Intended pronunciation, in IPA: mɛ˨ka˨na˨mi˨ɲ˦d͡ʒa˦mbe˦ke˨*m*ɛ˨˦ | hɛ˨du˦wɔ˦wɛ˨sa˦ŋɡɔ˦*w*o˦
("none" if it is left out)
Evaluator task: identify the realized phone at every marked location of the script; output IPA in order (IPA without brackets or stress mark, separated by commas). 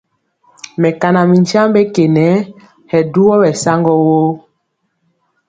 n, w